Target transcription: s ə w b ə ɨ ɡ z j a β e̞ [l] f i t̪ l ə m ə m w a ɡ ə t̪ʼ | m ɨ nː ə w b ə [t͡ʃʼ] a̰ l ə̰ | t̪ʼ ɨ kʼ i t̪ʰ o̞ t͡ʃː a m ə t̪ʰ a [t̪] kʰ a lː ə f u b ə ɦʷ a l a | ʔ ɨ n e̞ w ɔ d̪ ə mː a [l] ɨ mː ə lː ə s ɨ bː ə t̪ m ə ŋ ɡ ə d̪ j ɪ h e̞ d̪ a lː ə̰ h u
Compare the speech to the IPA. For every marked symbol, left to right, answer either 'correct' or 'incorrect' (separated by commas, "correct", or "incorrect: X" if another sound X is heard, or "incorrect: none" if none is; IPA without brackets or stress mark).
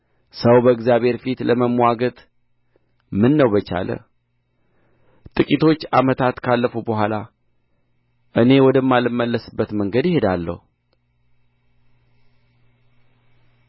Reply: incorrect: ɾ, incorrect: t͡ʃ, correct, correct